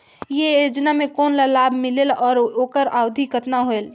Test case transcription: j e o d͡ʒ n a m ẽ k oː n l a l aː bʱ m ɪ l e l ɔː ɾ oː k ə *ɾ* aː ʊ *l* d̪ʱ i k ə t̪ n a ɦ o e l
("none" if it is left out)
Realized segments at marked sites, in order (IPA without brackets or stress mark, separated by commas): ɾ, none